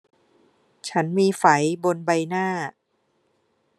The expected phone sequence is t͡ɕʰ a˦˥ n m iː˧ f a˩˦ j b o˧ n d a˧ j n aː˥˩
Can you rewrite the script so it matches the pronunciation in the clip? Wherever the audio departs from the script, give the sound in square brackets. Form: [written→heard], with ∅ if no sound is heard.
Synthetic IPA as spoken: t͡ɕʰ a˦˥ n m iː˧ f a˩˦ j b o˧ n [d→b] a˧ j n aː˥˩